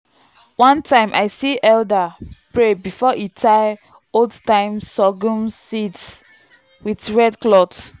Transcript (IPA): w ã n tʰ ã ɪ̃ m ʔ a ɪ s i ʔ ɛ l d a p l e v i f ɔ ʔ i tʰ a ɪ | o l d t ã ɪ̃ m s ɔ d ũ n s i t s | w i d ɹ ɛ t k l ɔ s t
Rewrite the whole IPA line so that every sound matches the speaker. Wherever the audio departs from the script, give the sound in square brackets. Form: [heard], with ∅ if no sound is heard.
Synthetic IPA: w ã n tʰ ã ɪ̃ m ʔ a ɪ s i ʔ ɛ l d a p [ɹ] e [b] i f ɔ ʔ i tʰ a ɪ | o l d t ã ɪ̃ m s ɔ [ɡ] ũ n s i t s | w i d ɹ ɛ [d] k l ɔ [∅] t